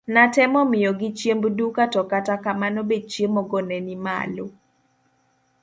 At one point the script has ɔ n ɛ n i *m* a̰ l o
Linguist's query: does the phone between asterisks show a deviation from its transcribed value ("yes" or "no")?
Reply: no